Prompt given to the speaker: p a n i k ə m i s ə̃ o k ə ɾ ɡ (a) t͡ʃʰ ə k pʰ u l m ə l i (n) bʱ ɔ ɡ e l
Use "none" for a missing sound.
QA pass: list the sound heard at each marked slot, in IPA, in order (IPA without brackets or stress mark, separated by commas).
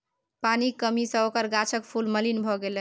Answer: a, n